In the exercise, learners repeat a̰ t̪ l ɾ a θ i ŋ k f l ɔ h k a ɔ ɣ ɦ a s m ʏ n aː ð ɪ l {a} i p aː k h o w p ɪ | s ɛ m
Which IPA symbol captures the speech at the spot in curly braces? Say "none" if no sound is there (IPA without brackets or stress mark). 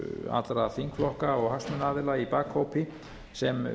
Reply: a